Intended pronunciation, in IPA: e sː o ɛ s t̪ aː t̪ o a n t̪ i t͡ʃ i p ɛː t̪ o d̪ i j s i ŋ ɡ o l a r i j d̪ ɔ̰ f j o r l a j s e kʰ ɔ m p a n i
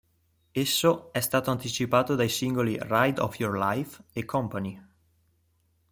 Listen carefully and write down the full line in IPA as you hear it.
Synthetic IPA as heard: e sː o ɛ s t̪ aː t̪ o a n t̪ i t͡ʃ i p aː t̪ o d̪ a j s i ŋ ɡ o l i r a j d̪ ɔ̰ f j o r l a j f e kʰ ɔ m p a n i